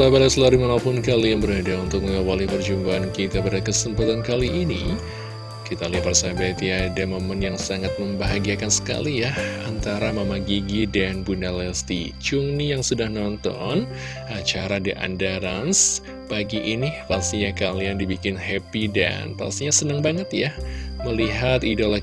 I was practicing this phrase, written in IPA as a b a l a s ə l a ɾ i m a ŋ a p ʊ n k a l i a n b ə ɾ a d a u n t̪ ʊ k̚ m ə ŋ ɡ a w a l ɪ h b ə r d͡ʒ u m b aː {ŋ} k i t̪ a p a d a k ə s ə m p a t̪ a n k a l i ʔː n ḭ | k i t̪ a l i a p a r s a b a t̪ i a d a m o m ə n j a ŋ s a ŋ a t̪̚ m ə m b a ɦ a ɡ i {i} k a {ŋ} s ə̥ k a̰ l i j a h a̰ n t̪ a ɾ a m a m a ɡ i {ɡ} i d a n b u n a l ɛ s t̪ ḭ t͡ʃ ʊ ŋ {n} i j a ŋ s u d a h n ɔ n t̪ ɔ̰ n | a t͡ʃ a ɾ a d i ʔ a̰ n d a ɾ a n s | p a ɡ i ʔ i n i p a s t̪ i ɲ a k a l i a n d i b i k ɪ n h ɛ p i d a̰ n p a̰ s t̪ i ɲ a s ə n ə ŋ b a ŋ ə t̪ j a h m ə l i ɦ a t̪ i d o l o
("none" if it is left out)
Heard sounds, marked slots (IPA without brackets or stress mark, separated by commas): n, a, n, ɡ, n